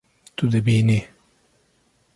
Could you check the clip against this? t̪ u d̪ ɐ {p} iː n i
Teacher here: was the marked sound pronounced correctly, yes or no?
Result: no